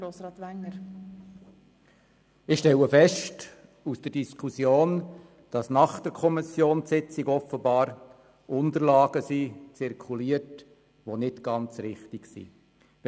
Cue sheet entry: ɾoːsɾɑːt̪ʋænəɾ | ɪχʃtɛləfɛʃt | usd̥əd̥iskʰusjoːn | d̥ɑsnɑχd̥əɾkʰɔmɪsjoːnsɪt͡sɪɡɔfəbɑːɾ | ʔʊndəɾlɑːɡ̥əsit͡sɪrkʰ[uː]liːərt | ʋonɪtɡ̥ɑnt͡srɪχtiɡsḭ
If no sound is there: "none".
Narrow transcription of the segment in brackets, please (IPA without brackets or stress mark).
u